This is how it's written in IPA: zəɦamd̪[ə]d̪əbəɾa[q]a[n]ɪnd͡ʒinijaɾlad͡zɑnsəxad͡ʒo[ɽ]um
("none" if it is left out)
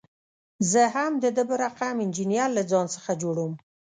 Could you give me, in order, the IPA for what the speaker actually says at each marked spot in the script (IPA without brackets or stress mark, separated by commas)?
ə, q, m, ɽ